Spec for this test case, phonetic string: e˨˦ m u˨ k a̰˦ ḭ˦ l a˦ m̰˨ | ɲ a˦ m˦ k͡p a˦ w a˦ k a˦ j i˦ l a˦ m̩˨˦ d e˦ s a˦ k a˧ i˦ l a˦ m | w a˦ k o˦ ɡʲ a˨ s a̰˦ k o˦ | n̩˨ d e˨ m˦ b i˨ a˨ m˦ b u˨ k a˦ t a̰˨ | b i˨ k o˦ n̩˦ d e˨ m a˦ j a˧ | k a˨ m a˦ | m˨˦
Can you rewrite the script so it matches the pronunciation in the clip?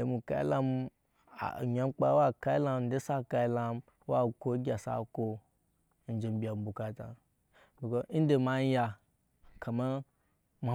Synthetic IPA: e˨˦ m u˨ k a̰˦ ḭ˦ l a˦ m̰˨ | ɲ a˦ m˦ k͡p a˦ w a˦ k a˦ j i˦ l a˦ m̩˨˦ d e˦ s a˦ k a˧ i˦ l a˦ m | w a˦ k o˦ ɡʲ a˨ s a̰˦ k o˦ | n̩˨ d͡ʒ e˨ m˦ b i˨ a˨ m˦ b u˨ k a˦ t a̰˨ | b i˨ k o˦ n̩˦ d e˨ m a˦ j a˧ | k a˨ m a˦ | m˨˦

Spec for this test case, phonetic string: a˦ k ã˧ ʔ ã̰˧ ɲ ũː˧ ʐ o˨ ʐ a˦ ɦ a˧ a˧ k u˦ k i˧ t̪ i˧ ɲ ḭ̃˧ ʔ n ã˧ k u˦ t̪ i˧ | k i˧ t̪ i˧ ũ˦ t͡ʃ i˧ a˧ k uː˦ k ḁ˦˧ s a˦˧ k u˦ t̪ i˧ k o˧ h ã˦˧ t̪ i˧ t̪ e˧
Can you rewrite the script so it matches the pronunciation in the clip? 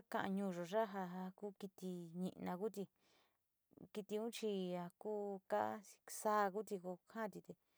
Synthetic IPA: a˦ k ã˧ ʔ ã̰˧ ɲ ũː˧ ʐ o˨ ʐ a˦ ɦ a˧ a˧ k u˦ k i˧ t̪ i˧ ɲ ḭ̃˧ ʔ n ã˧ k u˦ t̪ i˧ | k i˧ t̪ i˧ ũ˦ t͡ʃ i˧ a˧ k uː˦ k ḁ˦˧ s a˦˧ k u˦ t̪ i˧ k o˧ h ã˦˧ t̪ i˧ t̪ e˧

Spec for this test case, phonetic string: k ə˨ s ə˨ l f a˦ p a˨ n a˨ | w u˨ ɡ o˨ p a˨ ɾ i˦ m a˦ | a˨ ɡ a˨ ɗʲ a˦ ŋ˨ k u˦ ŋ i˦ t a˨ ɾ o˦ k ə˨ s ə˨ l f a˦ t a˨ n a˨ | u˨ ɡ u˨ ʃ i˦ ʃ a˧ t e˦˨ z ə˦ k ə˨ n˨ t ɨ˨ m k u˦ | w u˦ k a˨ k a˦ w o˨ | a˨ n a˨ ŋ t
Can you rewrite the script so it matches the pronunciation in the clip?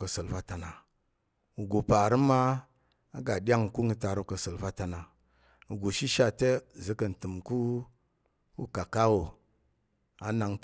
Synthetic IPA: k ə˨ s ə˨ l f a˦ t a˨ n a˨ | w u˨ ɡ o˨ p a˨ ɾ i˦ m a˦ | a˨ ɡ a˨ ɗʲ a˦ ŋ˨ k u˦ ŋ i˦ t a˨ ɾ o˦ k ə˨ s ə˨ l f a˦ t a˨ n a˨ | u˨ ɡ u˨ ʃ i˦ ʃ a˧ t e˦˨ z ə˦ k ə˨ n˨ t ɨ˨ m k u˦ | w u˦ k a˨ k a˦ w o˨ | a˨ n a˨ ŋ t

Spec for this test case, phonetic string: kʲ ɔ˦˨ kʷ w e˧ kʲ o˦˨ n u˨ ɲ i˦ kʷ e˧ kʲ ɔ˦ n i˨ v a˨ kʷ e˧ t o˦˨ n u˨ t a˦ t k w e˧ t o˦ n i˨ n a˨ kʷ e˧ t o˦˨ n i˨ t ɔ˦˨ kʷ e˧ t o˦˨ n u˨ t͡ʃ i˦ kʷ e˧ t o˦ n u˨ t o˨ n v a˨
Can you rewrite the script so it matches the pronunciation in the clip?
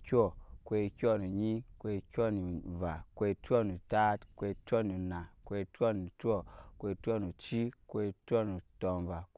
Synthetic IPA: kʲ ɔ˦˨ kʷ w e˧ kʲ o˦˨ n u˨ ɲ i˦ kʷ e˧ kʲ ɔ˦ n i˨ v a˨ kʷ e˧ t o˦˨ n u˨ t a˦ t k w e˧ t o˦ n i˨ n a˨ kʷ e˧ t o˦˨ n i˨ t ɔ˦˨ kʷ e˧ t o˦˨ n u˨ t͡ʃ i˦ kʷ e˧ t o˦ n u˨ t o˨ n v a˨

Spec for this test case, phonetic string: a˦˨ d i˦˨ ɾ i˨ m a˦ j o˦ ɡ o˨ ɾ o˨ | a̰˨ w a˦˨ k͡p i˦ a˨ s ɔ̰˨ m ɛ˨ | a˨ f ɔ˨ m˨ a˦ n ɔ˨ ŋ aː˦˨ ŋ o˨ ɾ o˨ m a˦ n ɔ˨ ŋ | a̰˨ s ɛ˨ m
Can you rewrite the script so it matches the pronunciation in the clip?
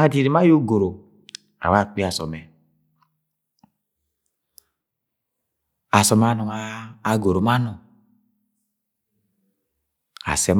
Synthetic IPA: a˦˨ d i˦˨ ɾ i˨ m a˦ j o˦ ɡ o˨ ɾ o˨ | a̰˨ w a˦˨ k͡p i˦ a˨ s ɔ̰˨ m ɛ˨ | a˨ s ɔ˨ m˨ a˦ n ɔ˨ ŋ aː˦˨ ɡ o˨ ɾ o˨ m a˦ n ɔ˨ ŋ | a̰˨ s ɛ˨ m

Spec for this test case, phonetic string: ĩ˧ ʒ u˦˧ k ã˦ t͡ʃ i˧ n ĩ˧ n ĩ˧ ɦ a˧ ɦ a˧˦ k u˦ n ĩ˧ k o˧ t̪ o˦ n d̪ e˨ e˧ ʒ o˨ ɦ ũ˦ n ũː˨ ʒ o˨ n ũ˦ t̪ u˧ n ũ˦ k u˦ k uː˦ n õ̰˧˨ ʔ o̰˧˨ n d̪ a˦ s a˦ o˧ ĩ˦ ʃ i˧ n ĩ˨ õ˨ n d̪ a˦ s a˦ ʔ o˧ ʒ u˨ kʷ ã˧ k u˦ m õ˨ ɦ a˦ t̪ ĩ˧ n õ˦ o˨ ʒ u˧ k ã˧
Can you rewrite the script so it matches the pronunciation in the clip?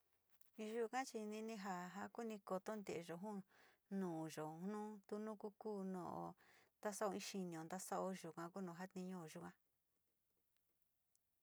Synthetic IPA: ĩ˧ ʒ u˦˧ k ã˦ t͡ʃ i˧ n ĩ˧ n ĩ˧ ɦ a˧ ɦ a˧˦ k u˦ n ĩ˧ k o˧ t̪ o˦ n d̪ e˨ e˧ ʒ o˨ ɦ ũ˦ n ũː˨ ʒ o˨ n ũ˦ t̪ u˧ n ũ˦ k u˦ k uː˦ n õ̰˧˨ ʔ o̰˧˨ n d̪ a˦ s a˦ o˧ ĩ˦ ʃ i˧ n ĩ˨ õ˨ n d̪ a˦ s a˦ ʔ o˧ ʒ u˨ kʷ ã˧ k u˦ n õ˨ ɦ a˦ t̪ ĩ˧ ɲ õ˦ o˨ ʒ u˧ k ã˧

